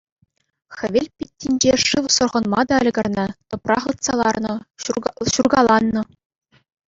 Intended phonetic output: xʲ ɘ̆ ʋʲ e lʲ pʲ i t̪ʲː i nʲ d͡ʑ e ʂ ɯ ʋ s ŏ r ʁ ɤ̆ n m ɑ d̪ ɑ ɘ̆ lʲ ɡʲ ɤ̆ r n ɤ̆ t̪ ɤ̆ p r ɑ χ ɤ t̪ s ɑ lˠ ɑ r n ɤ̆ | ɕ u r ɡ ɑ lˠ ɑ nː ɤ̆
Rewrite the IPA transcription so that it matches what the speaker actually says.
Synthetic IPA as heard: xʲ ɘ̆ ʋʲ e lʲ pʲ i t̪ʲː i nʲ d͡ʑ e ʂ ɯ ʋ s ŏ r ʁ ɤ̆ n m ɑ d̪ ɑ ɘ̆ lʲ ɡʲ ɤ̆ r n ɤ̆ t̪ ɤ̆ p r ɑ χ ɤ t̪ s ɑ lˠ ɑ r n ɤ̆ | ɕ u r ɡ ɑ lˠ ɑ nː ɤ̆

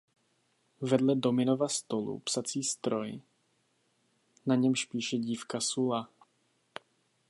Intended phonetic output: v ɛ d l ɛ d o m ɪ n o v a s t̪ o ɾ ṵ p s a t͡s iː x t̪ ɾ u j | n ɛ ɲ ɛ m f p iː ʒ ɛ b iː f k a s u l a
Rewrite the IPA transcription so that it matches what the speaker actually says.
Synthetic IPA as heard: v ɛ d l ɛ d o m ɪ n o v a s t̪ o l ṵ p s a t͡s iː s t̪ ɾ o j | n a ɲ ɛ m ʃ p iː ʃ ɛ ɟ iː f k a s u l a

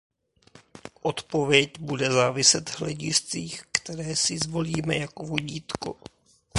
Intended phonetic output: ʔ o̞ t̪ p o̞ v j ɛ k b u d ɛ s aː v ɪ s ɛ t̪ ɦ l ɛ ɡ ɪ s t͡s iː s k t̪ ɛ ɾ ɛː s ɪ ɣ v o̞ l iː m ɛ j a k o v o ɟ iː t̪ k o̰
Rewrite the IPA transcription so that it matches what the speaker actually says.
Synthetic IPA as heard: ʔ o̞ t̪ p o̞ v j ɛ c b u d ɛ z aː v ɪ s ɛ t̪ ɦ l ɛ ɟ ɪ s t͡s iː x k t̪ ɛ ɾ ɛː s ɪ z v o̞ l iː m ɛ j a k o v o ɟ iː t̪ k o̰

